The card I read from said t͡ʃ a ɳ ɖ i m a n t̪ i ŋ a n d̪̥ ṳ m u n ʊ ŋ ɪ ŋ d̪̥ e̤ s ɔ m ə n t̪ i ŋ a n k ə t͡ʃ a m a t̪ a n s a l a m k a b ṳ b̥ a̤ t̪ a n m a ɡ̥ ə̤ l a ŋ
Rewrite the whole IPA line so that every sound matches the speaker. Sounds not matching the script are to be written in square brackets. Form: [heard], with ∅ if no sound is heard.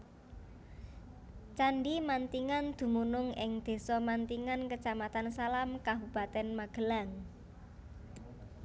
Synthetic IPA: t͡ʃ a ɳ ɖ i m a n t̪ i ŋ a n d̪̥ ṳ m u n ʊ ŋ ɪ ŋ d̪̥ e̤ s ɔ m [a] n t̪ i ŋ a n k ə t͡ʃ a m a t̪ a n s a l a m k a b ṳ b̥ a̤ t̪ [ɛ] n m a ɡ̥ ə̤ l a ŋ

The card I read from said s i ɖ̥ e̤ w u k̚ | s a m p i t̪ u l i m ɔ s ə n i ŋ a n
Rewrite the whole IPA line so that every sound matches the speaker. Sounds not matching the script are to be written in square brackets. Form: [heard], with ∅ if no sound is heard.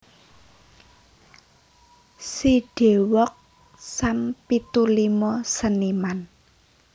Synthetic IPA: s i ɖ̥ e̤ w [ɔ] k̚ | s a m p i t̪ u l i m ɔ s ə n i [m] a n

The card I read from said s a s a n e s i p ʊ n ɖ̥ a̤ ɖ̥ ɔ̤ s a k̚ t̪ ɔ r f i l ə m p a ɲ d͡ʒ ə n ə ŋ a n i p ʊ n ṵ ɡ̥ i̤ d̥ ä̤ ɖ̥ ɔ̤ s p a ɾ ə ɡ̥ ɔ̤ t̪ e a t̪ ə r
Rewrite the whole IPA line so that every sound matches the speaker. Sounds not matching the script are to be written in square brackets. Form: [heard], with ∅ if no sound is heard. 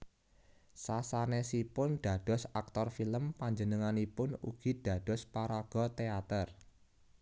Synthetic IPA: s a s a n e s i p ʊ n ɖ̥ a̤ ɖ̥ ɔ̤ s a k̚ t̪ ɔ r f i l ə m p a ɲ d͡ʒ ə n ə ŋ a n i p ʊ n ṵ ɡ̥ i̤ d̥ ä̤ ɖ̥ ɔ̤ s p a ɾ [a] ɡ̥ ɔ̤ t̪ e a t̪ ə r

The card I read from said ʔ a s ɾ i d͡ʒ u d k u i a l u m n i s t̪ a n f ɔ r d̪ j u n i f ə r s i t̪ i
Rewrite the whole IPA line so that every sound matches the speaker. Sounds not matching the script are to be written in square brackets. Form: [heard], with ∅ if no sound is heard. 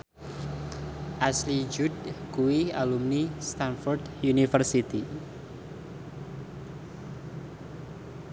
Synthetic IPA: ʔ a s [l] i d͡ʒ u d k u i a l u m n i s t̪ a n f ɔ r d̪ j u n i f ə r s i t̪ i

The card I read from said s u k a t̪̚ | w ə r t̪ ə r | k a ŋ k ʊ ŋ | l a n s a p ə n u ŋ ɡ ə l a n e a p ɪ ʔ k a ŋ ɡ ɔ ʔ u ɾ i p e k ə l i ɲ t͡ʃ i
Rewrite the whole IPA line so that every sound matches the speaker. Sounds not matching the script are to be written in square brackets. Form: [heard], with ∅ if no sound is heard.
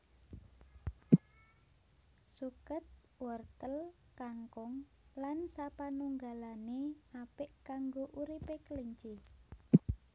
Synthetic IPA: s u k [ə] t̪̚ | w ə r t̪ ə [l] | k a ŋ k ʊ ŋ | l a n s a p [a] n u ŋ ɡ [a] l a n e a p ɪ ʔ k a ŋ ɡ [o] ʔ u ɾ i p e k ə l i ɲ t͡ʃ i

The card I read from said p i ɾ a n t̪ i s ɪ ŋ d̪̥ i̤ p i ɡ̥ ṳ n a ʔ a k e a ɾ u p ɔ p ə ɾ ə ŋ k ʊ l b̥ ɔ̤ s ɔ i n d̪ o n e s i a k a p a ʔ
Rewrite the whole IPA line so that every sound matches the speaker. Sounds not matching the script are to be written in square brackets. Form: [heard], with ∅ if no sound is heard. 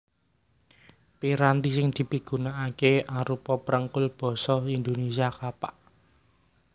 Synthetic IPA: p i ɾ a n t̪ i s ɪ ŋ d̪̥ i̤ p i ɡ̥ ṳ n a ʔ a k e a ɾ u p ɔ p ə ɾ ə ŋ k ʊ l b̥ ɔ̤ s ɔ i n d̪ o n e s i a k a p a ʔ

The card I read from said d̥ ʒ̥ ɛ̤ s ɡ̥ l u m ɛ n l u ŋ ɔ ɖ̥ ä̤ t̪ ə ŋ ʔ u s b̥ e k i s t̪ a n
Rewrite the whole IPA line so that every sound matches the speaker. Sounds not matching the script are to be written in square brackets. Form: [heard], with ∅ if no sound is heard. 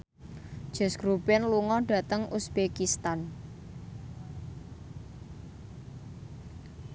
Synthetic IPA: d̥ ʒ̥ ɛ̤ s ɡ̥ [ɾ] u [b] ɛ n l u ŋ ɔ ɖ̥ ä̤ t̪ ə ŋ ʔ u s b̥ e k i s t̪ a n

